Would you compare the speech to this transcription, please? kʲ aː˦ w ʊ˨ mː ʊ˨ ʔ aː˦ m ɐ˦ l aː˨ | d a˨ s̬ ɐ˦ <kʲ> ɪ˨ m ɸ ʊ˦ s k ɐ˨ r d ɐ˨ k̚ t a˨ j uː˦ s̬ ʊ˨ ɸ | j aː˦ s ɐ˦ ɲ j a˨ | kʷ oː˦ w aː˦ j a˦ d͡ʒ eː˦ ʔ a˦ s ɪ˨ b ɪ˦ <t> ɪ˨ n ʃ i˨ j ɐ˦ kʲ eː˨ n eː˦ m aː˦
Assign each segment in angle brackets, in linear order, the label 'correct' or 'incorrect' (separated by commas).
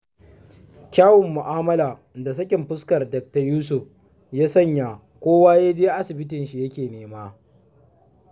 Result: correct, correct